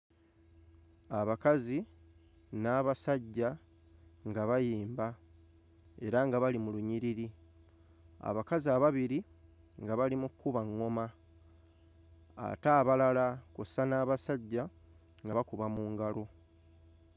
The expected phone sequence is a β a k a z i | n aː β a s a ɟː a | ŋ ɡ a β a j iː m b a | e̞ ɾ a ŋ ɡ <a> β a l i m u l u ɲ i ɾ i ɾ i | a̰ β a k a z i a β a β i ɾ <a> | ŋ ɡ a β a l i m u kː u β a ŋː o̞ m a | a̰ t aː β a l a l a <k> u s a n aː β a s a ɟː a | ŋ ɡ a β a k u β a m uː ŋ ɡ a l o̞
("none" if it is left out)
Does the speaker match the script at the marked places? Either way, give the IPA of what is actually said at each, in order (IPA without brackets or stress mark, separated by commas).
a, i, k